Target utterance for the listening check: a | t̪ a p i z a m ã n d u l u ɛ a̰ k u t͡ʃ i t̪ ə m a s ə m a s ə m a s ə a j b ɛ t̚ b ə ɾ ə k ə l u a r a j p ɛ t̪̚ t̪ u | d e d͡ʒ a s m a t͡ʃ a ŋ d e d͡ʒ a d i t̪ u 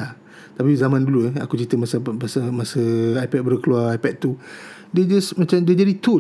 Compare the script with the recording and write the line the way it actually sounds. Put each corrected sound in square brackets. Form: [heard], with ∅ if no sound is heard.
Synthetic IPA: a | t̪ a p i z a m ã n d u l u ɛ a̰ k u t͡ʃ i t̪ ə m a s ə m a s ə m a s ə a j [p] ɛ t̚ b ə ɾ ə k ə l u a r a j p ɛ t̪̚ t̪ u | d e d͡ʒ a s m a t͡ʃ a [m] d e d͡ʒ a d i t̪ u